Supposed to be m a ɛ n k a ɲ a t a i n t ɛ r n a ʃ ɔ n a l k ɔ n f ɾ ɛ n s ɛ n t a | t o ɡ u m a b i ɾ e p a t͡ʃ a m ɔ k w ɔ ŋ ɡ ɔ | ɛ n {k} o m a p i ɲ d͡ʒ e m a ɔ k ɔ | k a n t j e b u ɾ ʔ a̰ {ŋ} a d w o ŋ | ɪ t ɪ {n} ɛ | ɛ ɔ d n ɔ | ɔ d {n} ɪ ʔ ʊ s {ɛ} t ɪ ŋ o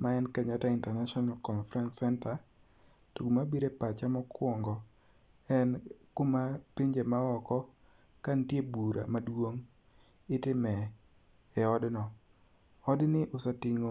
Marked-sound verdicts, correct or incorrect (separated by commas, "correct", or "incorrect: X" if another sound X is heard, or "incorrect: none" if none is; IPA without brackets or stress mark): correct, incorrect: m, incorrect: m, correct, incorrect: a